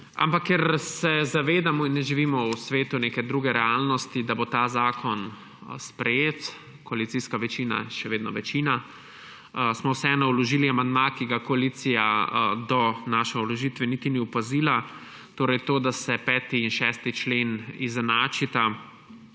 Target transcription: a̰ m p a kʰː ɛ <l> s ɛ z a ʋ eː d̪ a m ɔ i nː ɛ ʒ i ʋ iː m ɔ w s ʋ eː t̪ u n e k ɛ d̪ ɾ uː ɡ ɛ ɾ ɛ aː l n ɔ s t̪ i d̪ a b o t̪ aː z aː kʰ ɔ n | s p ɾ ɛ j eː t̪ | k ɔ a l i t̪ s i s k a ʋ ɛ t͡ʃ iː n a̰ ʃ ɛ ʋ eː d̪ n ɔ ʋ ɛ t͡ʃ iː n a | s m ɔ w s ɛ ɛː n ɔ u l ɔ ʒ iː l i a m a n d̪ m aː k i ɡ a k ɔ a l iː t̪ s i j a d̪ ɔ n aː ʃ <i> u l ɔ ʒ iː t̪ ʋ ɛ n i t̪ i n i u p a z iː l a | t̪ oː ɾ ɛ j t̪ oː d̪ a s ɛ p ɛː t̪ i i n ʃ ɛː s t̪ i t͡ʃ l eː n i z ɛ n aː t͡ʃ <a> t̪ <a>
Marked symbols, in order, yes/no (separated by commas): no, no, no, yes